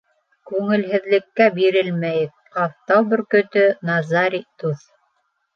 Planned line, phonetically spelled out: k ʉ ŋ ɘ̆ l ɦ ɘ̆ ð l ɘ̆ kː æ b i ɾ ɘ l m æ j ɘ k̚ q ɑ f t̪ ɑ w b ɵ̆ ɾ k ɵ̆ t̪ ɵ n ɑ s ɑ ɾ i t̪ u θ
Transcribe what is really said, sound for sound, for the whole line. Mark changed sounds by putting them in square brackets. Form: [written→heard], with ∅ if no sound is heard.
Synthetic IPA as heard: k ʉ ŋ ɘ̆ l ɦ ɘ̆ ð l ɘ̆ kː æ b i ɾ ɘ l m æ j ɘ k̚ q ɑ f t̪ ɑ w b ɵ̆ ɾ k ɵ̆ t̪ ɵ n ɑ [s→z] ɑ ɾ i t̪ u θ